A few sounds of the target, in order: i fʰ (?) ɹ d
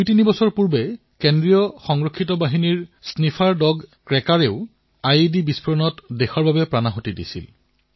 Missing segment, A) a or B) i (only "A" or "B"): A